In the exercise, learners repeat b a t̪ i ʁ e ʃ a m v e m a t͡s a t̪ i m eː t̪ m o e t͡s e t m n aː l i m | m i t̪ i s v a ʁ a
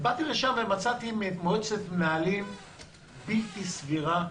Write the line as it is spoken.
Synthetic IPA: b a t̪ i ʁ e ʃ a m v e m a t͡s a t̪ i m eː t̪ m o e t͡s e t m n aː l i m | b i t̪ i s v i ʁ a